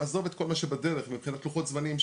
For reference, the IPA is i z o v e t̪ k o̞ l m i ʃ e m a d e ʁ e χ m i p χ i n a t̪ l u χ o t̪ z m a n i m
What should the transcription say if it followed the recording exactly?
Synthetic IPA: a z o v e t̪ k o̞ l m a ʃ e b a d e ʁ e χ m i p χ i n a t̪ l u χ o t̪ z m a n i m